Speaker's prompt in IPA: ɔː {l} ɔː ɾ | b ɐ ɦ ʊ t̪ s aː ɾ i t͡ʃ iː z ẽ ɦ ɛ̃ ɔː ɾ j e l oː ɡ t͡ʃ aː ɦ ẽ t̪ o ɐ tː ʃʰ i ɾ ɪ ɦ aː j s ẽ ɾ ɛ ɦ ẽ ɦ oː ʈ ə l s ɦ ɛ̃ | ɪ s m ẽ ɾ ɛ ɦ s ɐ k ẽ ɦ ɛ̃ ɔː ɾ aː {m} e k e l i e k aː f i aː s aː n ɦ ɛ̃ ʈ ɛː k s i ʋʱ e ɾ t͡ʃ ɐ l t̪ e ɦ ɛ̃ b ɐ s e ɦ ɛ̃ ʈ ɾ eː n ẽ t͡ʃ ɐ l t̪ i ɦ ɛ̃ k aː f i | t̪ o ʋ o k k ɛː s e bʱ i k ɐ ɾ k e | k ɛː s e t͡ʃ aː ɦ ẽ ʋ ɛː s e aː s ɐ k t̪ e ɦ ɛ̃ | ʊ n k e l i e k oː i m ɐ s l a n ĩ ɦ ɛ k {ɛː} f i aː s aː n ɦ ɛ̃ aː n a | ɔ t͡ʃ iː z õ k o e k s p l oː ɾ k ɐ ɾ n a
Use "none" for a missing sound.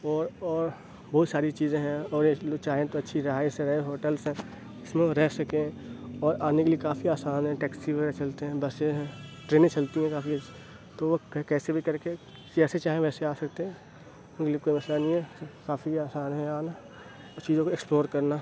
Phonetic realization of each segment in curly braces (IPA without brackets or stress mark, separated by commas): ɾ, n, aː